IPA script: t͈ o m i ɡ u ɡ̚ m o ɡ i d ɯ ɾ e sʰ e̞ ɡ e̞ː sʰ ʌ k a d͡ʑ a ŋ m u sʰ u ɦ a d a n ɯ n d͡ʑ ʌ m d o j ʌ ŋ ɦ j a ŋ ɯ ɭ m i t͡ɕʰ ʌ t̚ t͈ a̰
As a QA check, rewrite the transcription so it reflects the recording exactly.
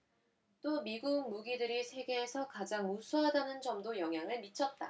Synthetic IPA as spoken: t͈ o m i ɡ u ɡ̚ m u ɡ i d ɯ ɾ i sʰ e̞ ɡ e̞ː sʰ ʌ k a d͡ʑ a ŋ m u sʰ u ɦ a d a n ɯ n d͡ʑ ʌ m d o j ʌ ŋ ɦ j a ŋ ɯ ɭ m i t͡ɕʰ ʌ t̚ t͈ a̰